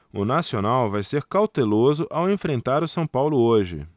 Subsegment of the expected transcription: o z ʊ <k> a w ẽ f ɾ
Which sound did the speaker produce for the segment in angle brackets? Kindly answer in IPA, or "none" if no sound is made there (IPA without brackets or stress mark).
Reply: ʔ